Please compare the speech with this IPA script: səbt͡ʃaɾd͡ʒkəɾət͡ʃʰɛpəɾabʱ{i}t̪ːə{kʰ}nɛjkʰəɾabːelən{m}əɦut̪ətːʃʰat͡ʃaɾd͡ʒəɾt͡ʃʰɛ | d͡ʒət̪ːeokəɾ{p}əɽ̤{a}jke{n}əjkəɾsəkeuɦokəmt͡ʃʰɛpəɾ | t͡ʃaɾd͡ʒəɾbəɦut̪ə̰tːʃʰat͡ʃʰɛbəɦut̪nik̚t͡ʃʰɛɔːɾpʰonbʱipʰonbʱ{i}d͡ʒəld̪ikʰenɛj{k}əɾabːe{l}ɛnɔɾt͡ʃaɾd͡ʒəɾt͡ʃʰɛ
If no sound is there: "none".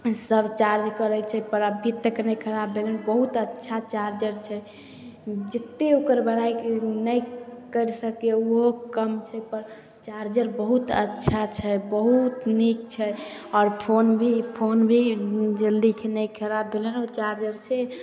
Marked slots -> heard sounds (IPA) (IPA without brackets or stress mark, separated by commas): i, k, b, b, a, n, i, kʰ, l